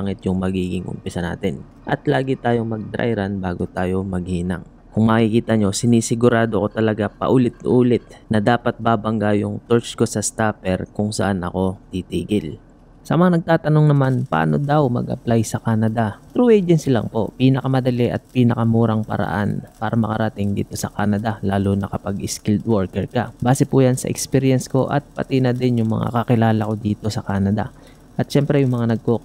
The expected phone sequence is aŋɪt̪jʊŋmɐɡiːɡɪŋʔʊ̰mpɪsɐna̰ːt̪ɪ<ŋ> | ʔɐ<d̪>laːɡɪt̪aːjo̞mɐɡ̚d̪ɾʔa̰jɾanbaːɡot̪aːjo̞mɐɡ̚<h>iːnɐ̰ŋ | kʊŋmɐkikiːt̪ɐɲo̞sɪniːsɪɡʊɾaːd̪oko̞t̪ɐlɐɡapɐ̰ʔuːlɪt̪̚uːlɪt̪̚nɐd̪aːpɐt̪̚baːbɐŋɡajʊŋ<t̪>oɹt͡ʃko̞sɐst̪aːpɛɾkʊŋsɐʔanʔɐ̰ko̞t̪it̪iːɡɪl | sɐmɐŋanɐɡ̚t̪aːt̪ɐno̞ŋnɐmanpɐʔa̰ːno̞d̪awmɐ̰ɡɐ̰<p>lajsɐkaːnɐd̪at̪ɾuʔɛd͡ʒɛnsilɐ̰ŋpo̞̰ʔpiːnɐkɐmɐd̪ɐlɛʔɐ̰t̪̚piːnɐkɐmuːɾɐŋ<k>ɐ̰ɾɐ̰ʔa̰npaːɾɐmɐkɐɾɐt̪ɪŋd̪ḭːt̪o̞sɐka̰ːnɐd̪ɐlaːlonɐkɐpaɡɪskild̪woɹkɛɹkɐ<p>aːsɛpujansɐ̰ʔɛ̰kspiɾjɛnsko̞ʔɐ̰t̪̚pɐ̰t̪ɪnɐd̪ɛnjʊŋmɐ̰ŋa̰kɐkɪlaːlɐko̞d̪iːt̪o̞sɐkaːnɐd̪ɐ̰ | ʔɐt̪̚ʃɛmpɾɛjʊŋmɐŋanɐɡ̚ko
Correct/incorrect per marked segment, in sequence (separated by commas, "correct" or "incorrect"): incorrect, incorrect, correct, correct, correct, incorrect, incorrect